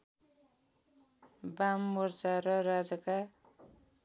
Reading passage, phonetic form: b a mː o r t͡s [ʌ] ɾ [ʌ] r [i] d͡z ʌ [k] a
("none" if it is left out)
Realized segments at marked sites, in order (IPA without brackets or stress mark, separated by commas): a, ʌ, a, k